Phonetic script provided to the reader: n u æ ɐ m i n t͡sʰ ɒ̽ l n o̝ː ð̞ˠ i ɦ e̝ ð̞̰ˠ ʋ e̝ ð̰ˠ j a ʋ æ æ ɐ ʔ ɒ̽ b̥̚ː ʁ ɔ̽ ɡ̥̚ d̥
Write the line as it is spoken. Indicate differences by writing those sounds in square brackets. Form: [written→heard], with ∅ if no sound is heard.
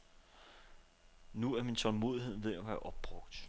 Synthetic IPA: n u æ ɐ m i n t͡sʰ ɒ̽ l [n→m] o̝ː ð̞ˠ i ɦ e̝ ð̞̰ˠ ʋ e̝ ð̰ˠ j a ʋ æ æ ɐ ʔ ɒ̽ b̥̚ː ʁ ɔ̽ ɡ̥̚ d̥